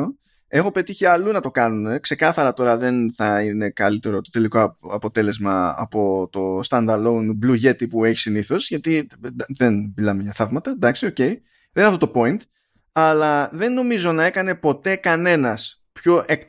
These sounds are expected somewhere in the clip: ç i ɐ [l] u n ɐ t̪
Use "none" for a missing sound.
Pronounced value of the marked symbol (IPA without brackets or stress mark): l